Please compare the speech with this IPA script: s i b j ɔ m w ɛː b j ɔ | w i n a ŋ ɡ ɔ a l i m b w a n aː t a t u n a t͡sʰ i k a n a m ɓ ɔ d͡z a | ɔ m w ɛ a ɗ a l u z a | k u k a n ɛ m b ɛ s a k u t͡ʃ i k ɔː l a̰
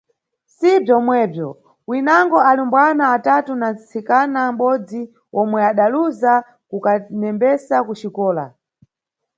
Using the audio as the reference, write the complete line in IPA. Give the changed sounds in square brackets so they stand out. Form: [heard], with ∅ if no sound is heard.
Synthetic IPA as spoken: s i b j ɔ m w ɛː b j ɔ | w i n a ŋ ɡ ɔ a l i m b w a n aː t a t u n a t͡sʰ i k a n a m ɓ ɔ d͡z [i] | ɔ m w ɛ a ɗ a l u z a | k u k a n ɛ m b ɛ s a k u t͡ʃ i k ɔː l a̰